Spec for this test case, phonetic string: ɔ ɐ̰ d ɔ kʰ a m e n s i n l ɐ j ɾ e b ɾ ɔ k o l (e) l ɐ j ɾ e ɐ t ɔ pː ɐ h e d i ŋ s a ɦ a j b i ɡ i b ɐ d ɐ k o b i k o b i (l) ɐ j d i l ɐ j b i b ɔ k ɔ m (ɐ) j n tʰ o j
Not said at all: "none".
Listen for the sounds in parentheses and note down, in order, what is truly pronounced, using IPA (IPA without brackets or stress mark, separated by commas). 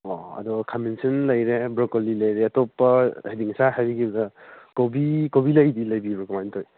i, l, a